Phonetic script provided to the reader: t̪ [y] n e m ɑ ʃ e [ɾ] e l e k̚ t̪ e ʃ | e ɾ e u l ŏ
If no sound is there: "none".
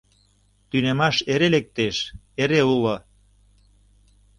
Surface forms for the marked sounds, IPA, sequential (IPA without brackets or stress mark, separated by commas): y, ɾ